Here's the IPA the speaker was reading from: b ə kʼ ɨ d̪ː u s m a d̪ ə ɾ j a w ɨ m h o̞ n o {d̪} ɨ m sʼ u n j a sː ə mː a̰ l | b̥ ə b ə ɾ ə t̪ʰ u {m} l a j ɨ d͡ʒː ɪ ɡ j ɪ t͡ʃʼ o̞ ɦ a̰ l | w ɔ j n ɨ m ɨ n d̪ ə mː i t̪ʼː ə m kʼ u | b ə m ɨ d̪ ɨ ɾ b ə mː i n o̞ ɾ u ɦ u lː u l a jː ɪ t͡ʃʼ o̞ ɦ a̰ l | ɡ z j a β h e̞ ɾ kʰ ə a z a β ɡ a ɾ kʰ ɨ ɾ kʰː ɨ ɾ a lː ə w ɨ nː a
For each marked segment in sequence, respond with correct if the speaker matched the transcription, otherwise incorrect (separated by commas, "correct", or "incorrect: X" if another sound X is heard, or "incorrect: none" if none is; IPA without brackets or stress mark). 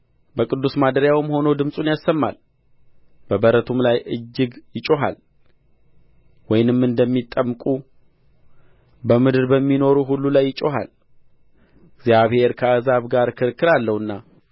correct, correct